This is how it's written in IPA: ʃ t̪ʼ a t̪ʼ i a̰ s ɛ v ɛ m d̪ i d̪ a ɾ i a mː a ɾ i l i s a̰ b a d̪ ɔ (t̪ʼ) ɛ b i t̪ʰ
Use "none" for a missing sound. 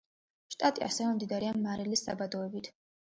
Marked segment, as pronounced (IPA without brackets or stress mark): none